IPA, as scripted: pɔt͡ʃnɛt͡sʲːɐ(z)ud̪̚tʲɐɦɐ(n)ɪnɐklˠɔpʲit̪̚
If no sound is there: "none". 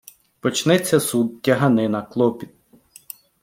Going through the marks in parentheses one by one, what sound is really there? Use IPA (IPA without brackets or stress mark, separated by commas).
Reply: s, n